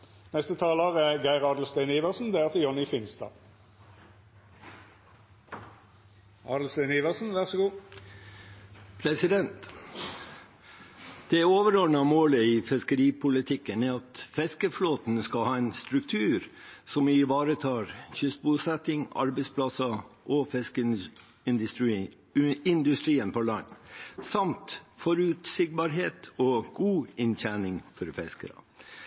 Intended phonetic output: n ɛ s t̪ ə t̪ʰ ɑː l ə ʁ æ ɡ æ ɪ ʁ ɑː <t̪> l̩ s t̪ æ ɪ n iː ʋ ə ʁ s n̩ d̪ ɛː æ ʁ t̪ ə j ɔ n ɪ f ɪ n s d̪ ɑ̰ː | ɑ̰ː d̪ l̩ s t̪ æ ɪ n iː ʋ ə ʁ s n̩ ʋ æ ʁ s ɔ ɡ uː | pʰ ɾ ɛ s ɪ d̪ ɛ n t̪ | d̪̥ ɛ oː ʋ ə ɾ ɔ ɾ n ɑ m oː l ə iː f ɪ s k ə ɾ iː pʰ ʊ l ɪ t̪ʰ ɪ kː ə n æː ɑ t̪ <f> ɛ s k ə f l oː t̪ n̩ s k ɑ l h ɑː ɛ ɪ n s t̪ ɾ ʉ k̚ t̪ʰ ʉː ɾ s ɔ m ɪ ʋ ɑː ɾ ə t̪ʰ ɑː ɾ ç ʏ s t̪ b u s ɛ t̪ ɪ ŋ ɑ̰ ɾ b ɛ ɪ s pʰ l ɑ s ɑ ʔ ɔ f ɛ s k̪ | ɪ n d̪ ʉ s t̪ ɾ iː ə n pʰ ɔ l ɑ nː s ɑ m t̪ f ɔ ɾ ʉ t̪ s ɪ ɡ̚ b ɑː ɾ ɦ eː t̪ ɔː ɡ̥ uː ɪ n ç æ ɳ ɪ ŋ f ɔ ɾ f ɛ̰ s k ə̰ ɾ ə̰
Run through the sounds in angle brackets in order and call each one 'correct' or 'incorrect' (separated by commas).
incorrect, correct